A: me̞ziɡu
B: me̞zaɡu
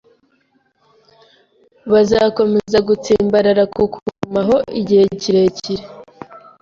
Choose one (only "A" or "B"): B